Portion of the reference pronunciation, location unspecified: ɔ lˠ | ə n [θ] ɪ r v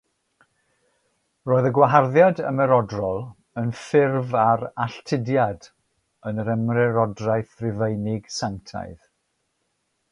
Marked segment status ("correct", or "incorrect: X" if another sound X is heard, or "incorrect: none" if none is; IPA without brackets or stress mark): incorrect: f